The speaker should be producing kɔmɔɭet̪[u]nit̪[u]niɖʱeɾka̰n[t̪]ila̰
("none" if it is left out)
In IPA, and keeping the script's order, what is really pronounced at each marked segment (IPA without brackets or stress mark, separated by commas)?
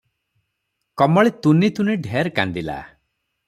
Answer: u, u, d̪